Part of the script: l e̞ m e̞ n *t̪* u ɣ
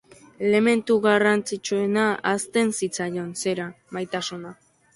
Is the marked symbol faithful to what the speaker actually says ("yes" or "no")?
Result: yes